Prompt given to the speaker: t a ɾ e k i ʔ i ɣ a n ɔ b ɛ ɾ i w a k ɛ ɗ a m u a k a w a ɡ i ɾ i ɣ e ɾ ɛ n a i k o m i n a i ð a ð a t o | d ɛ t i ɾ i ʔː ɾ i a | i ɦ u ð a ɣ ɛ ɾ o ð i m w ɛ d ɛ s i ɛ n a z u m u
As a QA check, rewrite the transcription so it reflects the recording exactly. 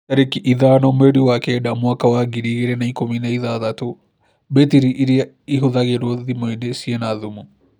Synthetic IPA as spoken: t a ɾ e k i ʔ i ð a n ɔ m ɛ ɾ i w a k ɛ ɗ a m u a k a w a ɡ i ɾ i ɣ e ɾ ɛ n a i k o m i n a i ð a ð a t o | b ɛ t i ɾ i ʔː ɾ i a | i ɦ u ð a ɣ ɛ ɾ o ð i m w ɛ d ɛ s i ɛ n a ð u m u